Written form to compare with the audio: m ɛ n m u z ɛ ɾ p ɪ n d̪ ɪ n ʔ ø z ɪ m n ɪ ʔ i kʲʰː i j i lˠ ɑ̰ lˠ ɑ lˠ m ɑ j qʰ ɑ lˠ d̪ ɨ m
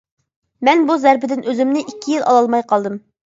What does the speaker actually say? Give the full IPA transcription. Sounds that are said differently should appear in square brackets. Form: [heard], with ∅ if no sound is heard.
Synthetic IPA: m ɛ n [b] u z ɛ ɾ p ɪ [∅] d̪ ɪ n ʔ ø z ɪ m n ɪ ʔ i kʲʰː i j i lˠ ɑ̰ lˠ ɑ lˠ m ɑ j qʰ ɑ lˠ d̪ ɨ m